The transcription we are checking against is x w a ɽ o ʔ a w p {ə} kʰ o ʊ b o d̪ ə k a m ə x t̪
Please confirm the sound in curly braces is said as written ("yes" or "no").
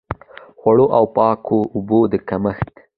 no